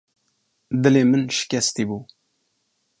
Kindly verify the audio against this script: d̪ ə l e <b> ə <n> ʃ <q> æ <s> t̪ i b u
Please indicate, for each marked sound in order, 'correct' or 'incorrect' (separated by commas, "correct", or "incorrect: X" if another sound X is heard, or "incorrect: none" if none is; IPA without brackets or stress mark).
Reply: incorrect: m, correct, incorrect: k, correct